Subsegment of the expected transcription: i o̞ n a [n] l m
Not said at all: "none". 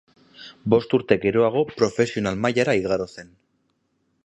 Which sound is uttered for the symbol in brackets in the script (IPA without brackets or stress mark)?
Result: none